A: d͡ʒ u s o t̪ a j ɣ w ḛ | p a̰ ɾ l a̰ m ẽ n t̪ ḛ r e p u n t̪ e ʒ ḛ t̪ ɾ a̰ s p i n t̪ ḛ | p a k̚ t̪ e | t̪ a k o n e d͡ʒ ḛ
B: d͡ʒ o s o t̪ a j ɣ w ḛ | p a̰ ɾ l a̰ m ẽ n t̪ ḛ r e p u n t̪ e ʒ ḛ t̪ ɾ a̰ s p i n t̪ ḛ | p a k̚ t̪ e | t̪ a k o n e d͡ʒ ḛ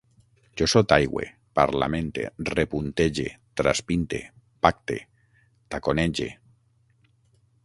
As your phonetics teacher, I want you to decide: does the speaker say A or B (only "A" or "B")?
B